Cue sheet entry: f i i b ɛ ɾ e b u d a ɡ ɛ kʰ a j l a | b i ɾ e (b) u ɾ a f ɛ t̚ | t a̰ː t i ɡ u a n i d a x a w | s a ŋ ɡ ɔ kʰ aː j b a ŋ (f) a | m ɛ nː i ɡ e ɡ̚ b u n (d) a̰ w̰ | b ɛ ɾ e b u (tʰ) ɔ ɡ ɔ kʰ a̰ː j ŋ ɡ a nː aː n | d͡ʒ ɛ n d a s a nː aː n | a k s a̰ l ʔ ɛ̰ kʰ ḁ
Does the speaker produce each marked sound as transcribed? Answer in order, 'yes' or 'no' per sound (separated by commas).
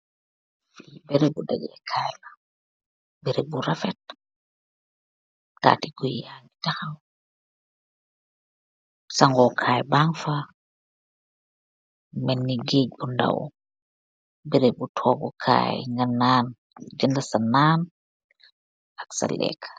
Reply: yes, yes, yes, yes